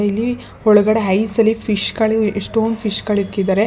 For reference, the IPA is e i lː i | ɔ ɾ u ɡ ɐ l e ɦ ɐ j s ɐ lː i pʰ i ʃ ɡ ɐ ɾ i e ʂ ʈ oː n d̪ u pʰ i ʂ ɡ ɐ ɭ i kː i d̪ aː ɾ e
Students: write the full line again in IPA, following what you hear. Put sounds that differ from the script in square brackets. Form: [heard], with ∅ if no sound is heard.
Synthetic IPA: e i lː i | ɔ [ɭ] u ɡ ɐ [ɽ] e ɦ ɐ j s ɐ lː i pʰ i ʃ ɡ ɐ [ɭ] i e ʂ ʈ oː n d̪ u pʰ i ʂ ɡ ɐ ɭ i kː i d̪ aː ɾ e